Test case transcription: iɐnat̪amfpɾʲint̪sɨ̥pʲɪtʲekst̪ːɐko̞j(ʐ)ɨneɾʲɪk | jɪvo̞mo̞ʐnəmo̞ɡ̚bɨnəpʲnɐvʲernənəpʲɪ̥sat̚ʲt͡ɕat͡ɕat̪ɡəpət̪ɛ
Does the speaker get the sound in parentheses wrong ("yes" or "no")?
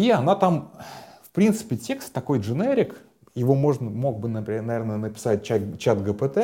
no